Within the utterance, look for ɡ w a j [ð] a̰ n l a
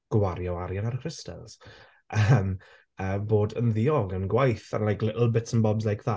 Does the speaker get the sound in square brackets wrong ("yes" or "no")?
yes